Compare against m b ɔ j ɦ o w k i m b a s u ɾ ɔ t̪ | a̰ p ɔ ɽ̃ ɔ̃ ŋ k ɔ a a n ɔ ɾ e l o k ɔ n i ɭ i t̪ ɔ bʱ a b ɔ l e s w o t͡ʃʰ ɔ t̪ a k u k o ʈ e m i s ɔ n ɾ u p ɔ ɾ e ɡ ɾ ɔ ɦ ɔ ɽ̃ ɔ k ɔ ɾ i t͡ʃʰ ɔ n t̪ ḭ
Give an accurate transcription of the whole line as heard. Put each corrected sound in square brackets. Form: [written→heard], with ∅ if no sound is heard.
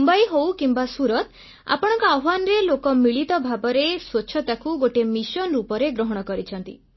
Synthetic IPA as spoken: m b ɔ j ɦ o w k i m b a s u ɾ ɔ t̪ | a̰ p ɔ ɽ̃ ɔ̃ ŋ k ɔ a a n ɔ ɾ e l o k ɔ [n→m] i ɭ i t̪ ɔ bʱ a b ɔ [l→ɾ] e s w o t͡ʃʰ ɔ t̪ a k u [k→ɡ] o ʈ e m i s ɔ n ɾ u p ɔ ɾ e ɡ ɾ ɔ ɦ ɔ ɽ̃ ɔ k ɔ ɾ i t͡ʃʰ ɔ n t̪ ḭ